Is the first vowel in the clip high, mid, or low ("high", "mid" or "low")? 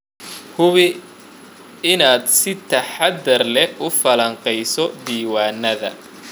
high